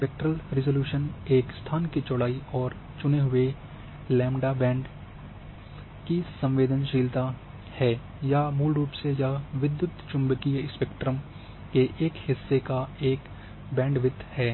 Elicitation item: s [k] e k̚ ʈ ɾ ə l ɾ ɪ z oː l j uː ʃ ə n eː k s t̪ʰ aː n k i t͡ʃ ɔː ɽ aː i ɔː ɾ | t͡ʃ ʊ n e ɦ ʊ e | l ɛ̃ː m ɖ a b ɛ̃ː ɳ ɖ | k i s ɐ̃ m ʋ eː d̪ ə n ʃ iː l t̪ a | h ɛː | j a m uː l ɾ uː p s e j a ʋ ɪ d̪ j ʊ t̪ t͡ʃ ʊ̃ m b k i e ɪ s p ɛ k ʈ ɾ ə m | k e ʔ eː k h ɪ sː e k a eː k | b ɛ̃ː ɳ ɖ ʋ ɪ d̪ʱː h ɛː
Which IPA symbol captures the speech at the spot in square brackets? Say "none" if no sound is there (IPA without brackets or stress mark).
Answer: p